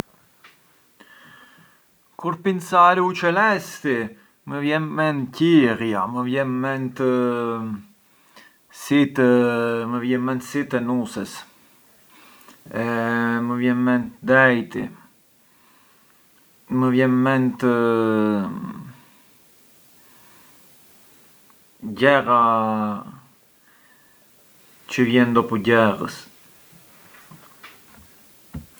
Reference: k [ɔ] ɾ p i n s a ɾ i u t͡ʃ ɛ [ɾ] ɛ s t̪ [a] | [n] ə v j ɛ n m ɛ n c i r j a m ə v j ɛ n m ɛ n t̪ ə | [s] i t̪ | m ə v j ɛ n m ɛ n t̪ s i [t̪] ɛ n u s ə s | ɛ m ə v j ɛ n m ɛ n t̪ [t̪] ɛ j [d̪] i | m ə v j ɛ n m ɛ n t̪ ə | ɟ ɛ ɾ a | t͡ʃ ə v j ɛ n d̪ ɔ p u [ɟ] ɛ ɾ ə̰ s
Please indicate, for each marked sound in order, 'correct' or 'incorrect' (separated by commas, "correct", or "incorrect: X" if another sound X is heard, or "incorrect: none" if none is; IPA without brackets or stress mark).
incorrect: u, incorrect: l, incorrect: i, incorrect: m, correct, correct, incorrect: d̪, incorrect: t̪, correct